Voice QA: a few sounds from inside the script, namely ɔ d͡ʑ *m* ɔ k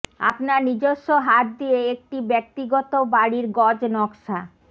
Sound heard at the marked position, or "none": n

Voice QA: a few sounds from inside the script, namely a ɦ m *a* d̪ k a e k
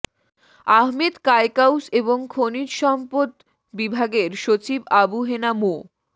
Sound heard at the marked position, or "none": e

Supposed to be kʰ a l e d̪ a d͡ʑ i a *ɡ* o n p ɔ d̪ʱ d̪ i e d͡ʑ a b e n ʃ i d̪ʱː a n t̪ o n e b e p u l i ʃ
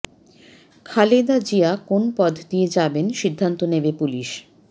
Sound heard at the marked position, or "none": k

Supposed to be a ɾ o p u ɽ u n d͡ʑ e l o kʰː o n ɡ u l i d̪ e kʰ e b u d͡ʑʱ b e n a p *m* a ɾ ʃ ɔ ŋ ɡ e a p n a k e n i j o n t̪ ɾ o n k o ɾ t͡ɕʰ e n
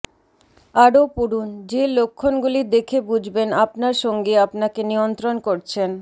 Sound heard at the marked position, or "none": n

